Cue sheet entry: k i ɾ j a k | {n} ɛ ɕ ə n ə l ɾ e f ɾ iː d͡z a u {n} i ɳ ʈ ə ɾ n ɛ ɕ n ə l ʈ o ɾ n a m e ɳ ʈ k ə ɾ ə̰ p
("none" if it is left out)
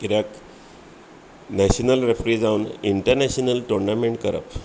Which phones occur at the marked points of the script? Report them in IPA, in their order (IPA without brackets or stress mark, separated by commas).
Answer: n, n